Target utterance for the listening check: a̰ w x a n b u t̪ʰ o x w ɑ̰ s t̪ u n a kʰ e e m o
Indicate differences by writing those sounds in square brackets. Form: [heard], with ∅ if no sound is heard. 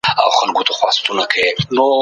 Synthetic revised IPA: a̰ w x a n [ɡ] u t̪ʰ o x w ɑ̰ s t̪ u n a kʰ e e [n] o